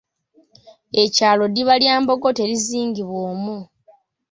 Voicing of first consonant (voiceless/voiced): voiceless